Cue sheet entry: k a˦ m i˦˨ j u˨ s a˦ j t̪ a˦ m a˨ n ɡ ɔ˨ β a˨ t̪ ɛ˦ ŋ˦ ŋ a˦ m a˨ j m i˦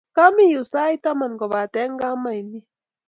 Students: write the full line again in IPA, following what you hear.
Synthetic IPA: k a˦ m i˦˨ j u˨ s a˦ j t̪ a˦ m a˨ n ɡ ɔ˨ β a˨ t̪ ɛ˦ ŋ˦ ɡ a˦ m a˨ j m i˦